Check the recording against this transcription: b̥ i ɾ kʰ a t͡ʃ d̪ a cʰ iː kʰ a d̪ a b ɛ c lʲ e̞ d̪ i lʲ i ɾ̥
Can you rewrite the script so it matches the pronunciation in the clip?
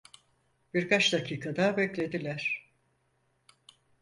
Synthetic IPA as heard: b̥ i ɾ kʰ a t͡ʃ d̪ a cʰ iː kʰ a d̪ a b ɛ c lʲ e̞ d̪ i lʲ æ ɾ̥